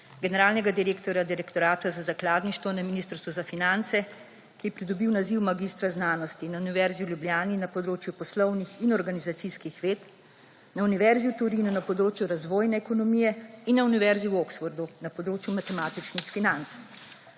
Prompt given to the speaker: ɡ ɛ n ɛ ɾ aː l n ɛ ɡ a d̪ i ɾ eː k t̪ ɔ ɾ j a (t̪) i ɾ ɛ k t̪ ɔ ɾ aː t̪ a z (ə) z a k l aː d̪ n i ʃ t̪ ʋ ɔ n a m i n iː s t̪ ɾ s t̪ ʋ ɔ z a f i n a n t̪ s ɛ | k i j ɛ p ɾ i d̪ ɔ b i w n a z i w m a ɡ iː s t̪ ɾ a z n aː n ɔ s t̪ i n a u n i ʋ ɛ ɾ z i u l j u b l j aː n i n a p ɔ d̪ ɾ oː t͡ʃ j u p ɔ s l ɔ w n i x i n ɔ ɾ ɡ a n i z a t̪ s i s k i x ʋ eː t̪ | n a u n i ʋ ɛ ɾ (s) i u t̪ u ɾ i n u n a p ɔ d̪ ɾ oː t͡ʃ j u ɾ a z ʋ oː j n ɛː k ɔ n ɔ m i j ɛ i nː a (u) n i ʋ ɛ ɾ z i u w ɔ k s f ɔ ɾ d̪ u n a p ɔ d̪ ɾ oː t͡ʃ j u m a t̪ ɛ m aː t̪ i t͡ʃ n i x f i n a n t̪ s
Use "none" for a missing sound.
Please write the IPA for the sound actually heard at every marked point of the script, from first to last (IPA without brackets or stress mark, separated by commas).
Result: d̪, a, z, u